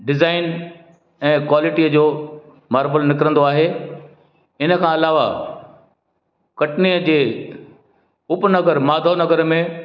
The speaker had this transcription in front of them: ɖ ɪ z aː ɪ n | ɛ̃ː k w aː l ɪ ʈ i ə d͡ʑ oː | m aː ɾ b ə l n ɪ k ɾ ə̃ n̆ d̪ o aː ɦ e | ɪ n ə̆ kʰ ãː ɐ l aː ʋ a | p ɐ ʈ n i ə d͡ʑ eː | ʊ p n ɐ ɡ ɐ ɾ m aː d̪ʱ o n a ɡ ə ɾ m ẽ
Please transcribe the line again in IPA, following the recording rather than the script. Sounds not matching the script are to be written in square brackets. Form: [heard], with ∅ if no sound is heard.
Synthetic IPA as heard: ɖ ɪ z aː ɪ n | ɛ̃ː k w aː l ɪ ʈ i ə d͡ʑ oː | m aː ɾ b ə l n ɪ k ɾ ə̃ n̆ d̪ o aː ɦ e | ɪ n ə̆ kʰ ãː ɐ l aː ʋ a | [k] ɐ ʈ n i ə d͡ʑ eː | ʊ p n ɐ ɡ [ə] ɾ m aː d̪ʱ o n [ɐ] ɡ ə ɾ m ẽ

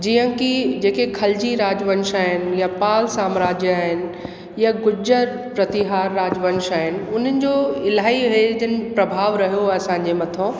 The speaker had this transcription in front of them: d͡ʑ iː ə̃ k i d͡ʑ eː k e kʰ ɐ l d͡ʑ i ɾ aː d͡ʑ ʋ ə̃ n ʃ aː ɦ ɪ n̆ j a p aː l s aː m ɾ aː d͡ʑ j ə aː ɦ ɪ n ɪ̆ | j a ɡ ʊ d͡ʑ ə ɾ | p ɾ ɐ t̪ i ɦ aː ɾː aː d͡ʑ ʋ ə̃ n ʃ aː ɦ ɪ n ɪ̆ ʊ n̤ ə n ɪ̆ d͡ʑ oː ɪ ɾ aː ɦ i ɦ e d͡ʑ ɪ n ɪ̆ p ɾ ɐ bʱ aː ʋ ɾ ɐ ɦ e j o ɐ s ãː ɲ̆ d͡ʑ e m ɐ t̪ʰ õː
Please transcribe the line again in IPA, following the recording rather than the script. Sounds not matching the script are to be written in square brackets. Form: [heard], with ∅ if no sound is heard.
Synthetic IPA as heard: d͡ʑ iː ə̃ k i d͡ʑ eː k e kʰ ɐ l d͡ʑ i ɾ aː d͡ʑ ʋ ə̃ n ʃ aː ɦ ɪ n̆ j a p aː l s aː m ɾ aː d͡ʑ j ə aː ɦ ɪ n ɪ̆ | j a ɡ ʊ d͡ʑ ə ɾ | p ɾ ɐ t̪ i ɦ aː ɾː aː d͡ʑ ʋ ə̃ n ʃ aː ɦ ɪ n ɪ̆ ʊ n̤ ə n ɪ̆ d͡ʑ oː ɪ [l] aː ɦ i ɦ e d͡ʑ ɪ n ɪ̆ p ɾ ɐ bʱ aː ʋ ɾ ɐ ɦ [i] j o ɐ s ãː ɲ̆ d͡ʑ e m ɐ t̪ʰ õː

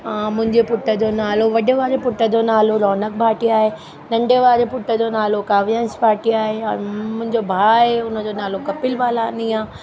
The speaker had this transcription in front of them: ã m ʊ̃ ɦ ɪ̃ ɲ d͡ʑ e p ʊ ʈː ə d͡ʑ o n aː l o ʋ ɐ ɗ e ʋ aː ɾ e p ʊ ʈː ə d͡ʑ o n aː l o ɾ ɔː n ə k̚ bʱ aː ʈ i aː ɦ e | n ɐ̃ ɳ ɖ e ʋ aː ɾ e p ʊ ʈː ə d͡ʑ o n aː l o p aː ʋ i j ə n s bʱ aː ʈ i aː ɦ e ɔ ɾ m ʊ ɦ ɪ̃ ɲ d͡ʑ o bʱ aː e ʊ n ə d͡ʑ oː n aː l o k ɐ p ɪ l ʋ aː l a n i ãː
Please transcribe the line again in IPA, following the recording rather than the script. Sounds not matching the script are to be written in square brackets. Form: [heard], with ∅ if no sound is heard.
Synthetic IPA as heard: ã m ʊ̃ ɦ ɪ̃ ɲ d͡ʑ e p ʊ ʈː ə d͡ʑ o n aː l o ʋ ɐ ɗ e ʋ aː ɾ e p ʊ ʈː ə d͡ʑ o n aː l o ɾ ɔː n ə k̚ bʱ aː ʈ i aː ɦ e | n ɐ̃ ɳ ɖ e ʋ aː ɾ e p ʊ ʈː ə d͡ʑ o n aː l o [k] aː ʋ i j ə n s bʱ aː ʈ i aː ɦ e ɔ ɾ m [ʊ̃] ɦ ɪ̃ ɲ d͡ʑ o bʱ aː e ʊ n ə d͡ʑ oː n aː l o k ɐ p ɪ l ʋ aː l a n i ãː

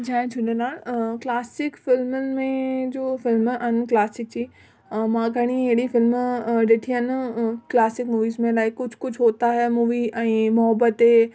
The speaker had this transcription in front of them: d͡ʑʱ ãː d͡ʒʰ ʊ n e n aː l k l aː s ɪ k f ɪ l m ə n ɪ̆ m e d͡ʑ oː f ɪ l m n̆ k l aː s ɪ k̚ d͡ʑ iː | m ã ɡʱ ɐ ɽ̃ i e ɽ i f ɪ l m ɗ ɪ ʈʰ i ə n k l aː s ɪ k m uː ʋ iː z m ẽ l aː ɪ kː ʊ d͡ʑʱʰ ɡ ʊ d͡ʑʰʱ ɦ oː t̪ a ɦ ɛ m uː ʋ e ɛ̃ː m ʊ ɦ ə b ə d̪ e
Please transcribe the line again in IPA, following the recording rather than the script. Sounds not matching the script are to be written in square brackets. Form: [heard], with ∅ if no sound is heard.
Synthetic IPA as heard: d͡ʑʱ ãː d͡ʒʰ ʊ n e n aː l k l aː s ɪ k f ɪ l m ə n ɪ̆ m [ẽ] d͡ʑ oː f ɪ l m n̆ k l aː s ɪ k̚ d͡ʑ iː | m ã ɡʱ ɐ ɽ̃ i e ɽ i f ɪ l m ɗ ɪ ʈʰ i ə n k l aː s ɪ k m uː ʋ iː z m ẽ l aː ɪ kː ʊ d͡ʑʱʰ [k] ʊ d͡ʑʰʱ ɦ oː t̪ a ɦ ɛ m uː ʋ [i] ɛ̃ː m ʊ ɦ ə b ə [t̪] e

